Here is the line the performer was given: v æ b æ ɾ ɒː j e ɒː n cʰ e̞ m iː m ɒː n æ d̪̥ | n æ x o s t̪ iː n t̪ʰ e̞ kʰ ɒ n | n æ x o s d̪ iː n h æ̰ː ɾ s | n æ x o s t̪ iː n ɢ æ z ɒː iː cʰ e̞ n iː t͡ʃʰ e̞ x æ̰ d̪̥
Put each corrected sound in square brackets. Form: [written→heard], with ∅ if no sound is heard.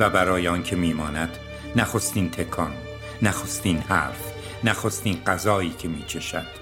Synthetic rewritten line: v æ b æ ɾ ɒː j e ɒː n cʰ e̞ m iː m ɒː n æ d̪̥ | n æ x o s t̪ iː n t̪ʰ e̞ kʰ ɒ n | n æ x o s [d̪→t̪] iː n h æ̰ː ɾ [s→f] | n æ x o s t̪ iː n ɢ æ z ɒː iː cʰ e̞ [n→m] iː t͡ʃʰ e̞ [x→ʃ] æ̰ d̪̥